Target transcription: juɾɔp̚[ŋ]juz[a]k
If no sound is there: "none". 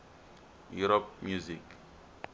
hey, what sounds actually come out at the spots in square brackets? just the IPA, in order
m, i

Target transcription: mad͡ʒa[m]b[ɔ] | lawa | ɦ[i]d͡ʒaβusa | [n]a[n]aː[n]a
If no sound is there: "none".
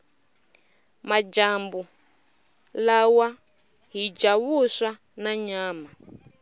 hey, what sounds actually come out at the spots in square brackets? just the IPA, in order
m, u, i, n, ɲ, m

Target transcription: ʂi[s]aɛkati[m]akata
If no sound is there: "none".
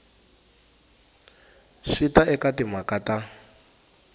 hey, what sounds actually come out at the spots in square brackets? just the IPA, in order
t, m

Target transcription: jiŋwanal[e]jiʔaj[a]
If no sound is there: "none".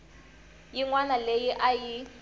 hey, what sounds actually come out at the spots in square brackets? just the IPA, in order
e, i

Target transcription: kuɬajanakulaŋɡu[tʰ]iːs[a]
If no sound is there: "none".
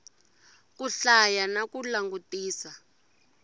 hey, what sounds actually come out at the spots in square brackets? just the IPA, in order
t, a

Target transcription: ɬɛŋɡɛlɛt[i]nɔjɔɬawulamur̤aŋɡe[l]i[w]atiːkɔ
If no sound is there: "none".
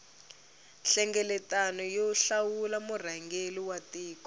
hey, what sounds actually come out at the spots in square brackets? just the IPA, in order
a, l, w

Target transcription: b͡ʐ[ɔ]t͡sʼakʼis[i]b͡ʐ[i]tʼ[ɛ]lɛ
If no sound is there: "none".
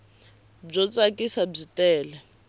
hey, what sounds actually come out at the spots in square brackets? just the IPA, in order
ɔ, a, i, ɛː

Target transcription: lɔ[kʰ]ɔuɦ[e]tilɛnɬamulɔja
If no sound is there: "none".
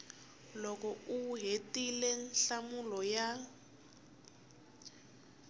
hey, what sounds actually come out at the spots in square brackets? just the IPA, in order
k, e

